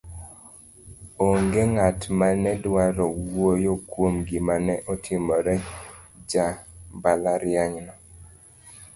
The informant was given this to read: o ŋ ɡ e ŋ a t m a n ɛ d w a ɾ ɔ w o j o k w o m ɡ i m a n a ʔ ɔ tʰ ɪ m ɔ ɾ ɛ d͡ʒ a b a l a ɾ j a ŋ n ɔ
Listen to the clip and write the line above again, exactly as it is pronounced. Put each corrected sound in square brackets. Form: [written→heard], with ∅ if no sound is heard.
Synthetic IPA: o ŋ ɡ e ŋ a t m a n ɛ d w a ɾ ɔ w o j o k w o m ɡ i m a n [a→ɛ] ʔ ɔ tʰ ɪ m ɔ ɾ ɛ d͡ʒ a b a l a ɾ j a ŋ n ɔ